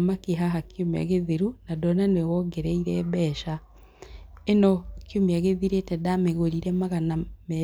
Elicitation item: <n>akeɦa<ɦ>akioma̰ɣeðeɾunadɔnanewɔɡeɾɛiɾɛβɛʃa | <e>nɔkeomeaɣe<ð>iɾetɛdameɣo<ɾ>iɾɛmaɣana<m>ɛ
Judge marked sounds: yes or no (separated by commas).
no, yes, yes, yes, yes, yes